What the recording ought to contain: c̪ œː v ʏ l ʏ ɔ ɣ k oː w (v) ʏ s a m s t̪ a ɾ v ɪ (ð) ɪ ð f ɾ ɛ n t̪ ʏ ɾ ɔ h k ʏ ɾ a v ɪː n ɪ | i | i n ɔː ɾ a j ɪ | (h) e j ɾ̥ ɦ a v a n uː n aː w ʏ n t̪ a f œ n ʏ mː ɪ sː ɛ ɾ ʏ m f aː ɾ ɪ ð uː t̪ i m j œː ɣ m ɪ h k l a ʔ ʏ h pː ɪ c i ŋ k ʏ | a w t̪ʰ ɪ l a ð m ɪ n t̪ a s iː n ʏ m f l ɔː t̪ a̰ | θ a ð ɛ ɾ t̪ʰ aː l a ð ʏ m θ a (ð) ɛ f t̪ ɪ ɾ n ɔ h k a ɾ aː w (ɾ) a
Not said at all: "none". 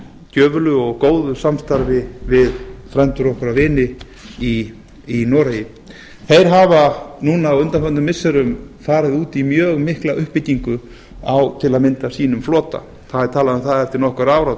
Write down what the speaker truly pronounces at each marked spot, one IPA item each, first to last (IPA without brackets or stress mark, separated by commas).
ð, v, θ, ð, ɾ